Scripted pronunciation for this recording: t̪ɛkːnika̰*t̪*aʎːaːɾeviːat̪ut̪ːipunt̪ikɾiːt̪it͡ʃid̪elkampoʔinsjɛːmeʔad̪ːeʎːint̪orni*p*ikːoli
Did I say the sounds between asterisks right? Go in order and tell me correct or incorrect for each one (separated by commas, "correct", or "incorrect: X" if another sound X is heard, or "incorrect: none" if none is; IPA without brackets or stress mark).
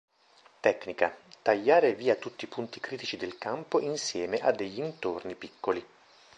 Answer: correct, correct